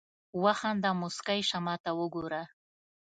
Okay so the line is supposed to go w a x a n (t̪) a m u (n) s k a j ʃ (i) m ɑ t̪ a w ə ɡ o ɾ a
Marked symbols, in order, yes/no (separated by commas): no, no, no